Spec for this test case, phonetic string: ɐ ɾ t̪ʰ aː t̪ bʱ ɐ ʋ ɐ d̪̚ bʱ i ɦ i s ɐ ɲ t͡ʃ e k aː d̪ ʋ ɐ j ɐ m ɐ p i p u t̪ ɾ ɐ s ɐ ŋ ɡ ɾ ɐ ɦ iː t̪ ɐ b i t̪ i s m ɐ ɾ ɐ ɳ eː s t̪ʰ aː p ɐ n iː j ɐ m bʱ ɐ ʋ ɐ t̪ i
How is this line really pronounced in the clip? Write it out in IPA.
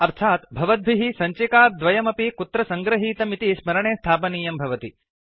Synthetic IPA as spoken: ɐ ɾ t̪ʰ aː t̪ bʱ ɐ ʋ ɐ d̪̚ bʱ i ɦ i s ɐ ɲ t͡ʃ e k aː d̪ ʋ ɐ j ɐ m ɐ p i k u t̪ ɾ ɐ s ɐ ŋ ɡ ɾ ɐ ɦ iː t̪ ɐ m i t̪ i s m ɐ ɾ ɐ ɳ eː s t̪ʰ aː p ɐ n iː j ɐ m bʱ ɐ ʋ ɐ t̪ i